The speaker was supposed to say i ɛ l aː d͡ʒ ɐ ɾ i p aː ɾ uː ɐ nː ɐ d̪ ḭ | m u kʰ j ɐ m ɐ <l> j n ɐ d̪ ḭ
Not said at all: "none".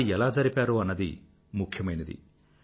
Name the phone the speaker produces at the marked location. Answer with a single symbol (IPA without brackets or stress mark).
none